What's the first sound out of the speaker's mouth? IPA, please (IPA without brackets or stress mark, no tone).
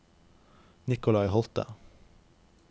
n